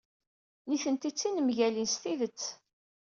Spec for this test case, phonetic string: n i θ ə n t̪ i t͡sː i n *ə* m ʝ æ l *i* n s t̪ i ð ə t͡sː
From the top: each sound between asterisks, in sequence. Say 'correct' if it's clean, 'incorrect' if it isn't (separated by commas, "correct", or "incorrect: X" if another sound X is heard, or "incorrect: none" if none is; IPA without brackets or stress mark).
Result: correct, correct